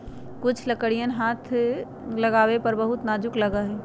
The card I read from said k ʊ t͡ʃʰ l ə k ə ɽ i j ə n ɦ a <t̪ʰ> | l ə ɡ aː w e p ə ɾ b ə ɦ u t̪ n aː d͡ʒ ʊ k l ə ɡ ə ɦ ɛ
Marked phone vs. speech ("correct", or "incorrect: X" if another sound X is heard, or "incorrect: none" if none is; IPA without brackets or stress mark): correct